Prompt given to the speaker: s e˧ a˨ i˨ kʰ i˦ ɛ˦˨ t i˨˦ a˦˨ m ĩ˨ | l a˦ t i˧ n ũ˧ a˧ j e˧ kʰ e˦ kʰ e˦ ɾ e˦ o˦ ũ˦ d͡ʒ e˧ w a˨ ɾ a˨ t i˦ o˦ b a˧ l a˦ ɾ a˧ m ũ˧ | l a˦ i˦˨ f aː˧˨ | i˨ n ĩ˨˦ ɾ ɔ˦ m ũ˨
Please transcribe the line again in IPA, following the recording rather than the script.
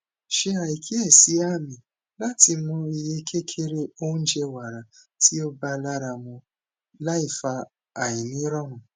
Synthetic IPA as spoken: ʃ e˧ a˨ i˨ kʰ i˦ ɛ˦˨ s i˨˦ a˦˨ m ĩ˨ | l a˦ t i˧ m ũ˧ i˧ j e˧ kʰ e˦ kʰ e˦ ɾ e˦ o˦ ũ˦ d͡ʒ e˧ w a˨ ɾ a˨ t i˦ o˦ b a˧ l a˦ ɾ a˧ m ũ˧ | l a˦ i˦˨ f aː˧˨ | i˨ n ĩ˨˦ ɾ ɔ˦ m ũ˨

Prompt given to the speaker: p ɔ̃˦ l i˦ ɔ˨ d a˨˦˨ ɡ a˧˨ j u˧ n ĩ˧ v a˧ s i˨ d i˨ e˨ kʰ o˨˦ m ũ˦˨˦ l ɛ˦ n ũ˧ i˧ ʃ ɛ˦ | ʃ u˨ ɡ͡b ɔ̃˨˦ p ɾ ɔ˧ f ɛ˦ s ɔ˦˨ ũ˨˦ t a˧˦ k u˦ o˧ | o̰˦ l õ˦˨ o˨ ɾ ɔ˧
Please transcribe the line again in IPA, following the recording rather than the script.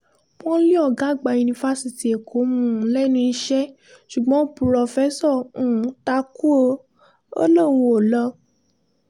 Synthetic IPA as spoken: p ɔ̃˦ l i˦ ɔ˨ ɡ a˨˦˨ ɡ͡b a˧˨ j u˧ n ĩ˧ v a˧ s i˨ t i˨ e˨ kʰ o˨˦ m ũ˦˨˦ l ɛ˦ n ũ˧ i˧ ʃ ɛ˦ | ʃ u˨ ɡ͡b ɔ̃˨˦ p ɾ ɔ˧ f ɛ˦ s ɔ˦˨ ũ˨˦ t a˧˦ k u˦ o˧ | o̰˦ l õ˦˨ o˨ l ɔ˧

